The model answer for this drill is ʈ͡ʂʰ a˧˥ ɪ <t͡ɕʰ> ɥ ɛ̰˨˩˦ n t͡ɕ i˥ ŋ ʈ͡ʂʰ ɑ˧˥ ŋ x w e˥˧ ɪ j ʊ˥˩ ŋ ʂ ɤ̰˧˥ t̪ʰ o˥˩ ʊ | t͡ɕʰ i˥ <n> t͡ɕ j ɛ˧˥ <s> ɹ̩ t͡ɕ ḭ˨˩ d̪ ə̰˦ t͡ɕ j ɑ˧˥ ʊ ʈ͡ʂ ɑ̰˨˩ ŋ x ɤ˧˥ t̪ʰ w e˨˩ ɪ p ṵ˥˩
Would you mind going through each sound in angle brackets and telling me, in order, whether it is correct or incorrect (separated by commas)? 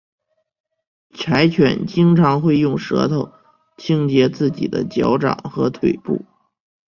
correct, incorrect, incorrect